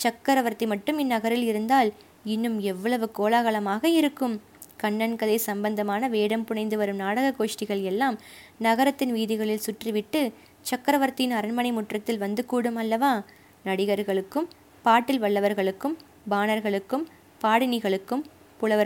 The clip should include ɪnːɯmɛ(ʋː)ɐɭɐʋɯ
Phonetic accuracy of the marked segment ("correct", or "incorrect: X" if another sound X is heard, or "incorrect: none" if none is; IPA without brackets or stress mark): correct